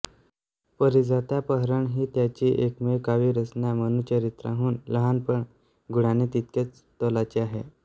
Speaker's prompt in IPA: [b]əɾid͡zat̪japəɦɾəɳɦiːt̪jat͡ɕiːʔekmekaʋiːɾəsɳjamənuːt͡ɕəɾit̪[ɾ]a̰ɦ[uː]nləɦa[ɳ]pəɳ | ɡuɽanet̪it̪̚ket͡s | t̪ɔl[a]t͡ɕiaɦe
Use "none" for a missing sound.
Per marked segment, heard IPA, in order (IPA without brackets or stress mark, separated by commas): p, ɾ, uː, n, a